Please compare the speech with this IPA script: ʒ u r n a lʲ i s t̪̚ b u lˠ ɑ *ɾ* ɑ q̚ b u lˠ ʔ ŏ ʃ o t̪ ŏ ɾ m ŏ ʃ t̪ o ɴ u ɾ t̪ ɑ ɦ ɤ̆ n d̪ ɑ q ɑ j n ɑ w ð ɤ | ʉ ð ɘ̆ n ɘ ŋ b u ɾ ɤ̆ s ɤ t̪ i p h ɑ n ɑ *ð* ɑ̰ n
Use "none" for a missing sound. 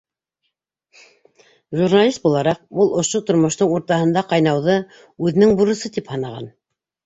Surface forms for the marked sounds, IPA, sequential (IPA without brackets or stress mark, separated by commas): ɾ, ʁ